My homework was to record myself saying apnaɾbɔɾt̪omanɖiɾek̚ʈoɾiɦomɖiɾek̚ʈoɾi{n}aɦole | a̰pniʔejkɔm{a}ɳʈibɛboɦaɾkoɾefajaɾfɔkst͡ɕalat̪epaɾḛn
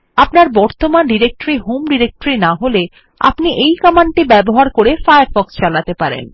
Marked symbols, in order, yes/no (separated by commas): yes, yes